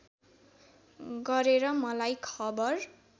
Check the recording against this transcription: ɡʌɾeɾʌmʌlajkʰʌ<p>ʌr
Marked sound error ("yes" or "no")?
yes